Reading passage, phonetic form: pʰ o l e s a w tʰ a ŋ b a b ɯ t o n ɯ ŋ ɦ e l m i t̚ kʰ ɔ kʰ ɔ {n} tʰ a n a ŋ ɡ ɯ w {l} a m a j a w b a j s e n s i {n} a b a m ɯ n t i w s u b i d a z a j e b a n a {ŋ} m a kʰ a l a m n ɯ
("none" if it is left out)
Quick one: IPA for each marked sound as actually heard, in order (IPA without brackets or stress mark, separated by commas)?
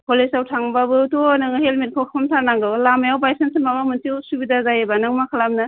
m, l, m, ŋ